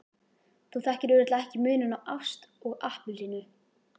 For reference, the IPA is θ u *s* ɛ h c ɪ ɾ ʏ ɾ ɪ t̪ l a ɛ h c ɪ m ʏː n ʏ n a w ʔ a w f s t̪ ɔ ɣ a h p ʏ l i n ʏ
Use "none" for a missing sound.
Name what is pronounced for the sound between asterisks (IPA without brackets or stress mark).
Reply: θ